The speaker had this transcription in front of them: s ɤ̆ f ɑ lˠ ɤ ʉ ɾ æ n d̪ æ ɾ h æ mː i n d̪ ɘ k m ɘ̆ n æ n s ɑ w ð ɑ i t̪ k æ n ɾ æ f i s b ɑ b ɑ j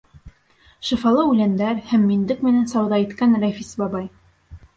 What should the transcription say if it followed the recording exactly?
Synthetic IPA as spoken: ʃ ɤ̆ f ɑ lˠ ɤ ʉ l æ n d̪ æ ɾ h æ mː i n d̪ ɘ k m ɘ̆ n æ n s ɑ w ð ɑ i t̪ k æ n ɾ æ f i s b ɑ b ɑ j